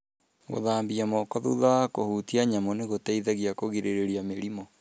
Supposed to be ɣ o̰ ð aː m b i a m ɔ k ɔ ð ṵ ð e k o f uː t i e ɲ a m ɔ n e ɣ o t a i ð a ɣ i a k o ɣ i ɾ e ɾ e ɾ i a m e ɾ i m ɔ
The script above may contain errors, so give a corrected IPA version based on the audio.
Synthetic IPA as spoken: ɣ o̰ ð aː m b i a m ɔ k ɔ ð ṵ ð a k o h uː t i a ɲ a m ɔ n e ɣ o t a i ð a ɣ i a k o ɣ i ɾ e ɾ e ɾ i a m e ɾ i m ɔ